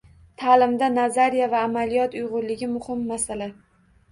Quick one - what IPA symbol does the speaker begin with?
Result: t̪ʰ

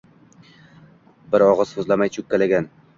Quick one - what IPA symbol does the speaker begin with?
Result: b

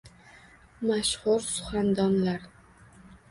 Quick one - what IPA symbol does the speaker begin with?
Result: m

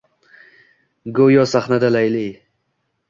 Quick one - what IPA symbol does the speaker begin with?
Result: ɡ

